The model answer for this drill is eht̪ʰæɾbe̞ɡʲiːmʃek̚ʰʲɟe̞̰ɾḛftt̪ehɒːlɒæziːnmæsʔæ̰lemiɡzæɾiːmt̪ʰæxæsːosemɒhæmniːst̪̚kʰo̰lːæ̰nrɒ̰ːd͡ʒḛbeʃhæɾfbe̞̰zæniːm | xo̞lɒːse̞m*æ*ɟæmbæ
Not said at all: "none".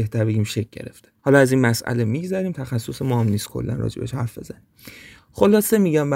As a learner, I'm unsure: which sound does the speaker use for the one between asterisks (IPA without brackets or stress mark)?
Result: i